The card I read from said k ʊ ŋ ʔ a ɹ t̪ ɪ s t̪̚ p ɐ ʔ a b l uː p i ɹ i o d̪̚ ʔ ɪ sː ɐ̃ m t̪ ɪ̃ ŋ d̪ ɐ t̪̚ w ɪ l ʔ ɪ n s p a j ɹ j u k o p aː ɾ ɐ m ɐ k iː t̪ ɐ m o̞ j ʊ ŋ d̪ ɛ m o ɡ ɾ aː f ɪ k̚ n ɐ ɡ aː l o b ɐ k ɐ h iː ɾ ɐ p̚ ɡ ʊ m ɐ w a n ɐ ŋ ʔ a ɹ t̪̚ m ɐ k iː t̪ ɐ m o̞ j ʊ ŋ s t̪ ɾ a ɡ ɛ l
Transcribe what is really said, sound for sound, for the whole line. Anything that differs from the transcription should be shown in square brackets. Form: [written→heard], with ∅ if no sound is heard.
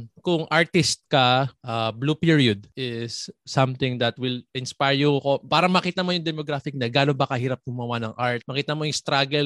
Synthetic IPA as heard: k ʊ ŋ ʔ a ɹ t̪ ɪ s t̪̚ [p→k] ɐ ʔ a b l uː p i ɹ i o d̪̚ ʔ ɪ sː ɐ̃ m t̪ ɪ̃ ŋ d̪ ɐ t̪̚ w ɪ l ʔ ɪ n s p a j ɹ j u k o p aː ɾ ɐ m ɐ k iː t̪ ɐ m o̞ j ʊ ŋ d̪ ɛ m o ɡ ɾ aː f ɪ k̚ n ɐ ɡ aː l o b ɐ k ɐ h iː ɾ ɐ p̚ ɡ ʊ m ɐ w a n ɐ ŋ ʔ a ɹ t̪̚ m ɐ k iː t̪ ɐ m o̞ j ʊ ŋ s t̪ ɾ a ɡ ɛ l